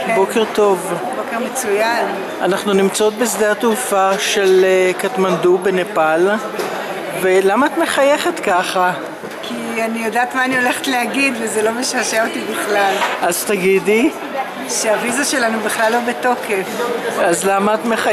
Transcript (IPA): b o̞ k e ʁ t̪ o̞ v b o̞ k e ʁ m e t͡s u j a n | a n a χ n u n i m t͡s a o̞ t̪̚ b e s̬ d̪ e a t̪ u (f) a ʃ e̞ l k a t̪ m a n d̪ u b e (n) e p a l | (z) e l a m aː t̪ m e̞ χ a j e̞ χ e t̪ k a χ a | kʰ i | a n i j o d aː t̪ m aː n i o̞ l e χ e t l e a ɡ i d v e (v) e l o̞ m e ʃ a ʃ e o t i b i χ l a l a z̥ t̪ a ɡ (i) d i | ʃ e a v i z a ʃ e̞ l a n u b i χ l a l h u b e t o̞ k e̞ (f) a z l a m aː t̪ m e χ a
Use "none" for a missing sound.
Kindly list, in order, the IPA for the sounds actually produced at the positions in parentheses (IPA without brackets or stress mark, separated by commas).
f, n, v, z, i, f